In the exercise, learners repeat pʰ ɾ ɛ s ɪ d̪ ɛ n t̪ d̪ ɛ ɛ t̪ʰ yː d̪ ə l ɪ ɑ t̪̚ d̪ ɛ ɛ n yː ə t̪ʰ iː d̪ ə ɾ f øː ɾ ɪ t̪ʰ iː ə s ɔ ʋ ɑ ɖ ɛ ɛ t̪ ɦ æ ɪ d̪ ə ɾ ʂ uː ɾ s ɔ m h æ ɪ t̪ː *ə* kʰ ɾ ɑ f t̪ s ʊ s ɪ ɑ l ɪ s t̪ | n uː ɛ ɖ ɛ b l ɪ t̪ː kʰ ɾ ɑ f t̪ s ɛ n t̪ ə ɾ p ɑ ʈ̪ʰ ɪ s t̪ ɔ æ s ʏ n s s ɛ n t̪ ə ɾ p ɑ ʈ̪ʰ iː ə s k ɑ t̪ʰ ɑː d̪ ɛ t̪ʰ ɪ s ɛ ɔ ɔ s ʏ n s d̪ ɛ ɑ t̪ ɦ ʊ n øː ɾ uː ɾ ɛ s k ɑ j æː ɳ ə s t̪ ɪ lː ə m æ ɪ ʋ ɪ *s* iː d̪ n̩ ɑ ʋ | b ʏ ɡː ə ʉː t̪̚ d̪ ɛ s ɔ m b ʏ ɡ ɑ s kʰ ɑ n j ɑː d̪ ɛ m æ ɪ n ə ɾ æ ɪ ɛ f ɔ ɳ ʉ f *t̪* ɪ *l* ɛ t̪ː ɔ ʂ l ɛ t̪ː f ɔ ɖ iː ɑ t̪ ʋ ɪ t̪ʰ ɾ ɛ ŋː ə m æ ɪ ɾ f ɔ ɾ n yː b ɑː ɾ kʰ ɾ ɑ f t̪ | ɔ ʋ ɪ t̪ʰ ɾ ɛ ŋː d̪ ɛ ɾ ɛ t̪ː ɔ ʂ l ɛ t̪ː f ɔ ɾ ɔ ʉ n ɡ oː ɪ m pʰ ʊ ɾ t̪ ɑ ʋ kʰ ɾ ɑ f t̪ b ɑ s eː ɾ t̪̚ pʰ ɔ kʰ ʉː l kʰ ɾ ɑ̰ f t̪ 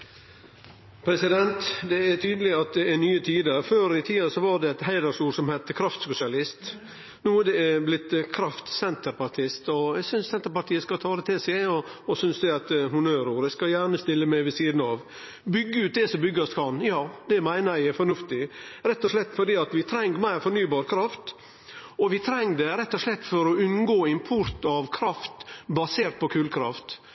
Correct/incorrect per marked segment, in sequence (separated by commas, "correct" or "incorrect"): correct, correct, correct, incorrect